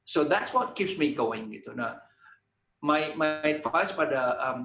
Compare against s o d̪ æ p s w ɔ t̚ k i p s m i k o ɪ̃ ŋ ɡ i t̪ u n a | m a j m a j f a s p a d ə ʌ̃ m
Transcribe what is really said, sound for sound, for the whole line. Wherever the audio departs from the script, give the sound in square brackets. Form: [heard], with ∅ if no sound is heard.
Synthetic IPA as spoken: s o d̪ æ [t] s w ɔ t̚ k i p s m i [ɡ] o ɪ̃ ŋ ɡ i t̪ u n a | m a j m a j f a s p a d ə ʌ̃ m